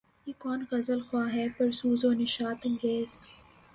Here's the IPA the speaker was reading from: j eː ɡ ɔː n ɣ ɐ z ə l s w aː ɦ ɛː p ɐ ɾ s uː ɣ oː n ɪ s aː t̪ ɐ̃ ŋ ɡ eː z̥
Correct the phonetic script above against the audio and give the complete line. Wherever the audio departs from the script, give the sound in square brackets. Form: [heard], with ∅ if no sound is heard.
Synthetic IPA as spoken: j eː [k] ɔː n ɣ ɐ z ə l [x] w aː ɦ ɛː p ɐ ɾ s uː [z] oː n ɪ [ʃ] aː t̪ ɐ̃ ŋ ɡ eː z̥